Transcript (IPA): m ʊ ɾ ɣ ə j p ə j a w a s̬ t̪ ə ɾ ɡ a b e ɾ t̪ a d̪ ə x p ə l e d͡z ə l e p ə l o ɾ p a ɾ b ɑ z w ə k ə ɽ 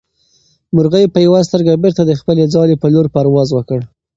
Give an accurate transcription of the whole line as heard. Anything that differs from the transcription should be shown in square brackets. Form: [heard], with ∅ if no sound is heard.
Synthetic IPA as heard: m ʊ ɾ ɣ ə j p ə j a w a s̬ t̪ ə ɾ ɡ a b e ɾ t̪ a d̪ ə x p ə l e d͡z [ɑ] l e p ə l o ɾ p a ɾ [w] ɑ z w ə k ə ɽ